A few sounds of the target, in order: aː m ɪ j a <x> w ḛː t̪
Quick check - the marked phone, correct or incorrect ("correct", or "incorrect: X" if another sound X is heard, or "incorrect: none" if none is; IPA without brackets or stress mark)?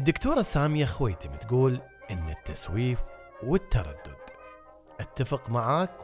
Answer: correct